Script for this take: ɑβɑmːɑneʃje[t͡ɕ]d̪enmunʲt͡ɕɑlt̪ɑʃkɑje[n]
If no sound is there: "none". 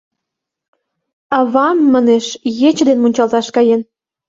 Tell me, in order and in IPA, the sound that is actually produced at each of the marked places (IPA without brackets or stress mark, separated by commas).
t͡ɕ, n